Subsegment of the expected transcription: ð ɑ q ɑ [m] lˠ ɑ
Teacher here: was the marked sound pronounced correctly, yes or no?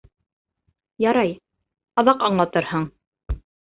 no